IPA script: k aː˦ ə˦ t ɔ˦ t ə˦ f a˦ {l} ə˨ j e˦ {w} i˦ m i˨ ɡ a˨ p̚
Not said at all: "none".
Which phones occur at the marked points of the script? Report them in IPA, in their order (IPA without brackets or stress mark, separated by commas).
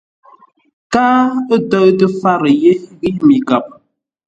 ɾ, ɣ